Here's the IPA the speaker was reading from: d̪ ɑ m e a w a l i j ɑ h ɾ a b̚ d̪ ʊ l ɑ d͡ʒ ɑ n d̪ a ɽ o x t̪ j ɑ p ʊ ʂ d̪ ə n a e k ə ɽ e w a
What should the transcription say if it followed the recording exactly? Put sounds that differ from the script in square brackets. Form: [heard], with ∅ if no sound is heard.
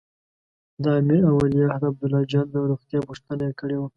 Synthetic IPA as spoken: d̪ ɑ m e a w a l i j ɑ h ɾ a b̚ d̪ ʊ l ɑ d͡ʒ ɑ n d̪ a [ɾ] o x t̪ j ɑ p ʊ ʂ [t̪] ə n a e k ə ɽ e w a